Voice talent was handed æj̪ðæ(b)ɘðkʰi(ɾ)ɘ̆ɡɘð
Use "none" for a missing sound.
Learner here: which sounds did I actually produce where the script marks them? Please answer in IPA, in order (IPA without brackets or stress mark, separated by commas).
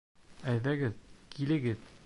ɡ, l